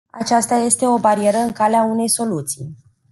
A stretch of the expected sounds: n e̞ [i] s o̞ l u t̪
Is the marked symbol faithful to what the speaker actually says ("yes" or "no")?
no